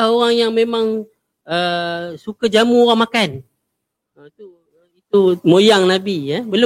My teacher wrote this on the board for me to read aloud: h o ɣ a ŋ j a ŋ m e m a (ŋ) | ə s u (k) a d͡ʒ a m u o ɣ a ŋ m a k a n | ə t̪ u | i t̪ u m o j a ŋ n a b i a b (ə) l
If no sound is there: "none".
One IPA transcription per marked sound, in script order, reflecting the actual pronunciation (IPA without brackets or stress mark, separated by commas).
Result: ŋ, k, ə